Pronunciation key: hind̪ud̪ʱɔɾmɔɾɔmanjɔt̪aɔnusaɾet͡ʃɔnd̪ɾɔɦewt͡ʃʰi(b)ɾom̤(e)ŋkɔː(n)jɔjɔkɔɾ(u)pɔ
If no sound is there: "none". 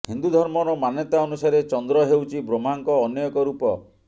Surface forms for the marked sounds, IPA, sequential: b, a, n, u

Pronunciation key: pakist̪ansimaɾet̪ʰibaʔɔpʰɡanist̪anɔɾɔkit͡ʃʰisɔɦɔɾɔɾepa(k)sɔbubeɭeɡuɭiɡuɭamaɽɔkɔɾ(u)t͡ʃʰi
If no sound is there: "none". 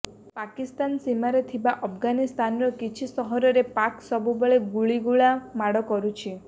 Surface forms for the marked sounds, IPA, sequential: k, u

